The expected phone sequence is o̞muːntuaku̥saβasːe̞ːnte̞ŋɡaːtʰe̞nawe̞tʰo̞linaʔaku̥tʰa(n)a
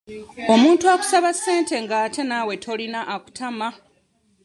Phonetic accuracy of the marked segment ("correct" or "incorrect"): incorrect